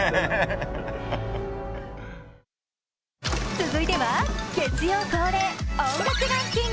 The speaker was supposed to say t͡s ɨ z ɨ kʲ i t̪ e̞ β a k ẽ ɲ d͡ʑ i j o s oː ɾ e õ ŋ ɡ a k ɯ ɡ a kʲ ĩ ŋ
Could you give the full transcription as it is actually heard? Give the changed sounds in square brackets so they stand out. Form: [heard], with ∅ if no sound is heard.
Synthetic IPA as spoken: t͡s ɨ z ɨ [∅] i t̪ e̞ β a k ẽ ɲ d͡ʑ i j o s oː ɾ e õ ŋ ɡ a k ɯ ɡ a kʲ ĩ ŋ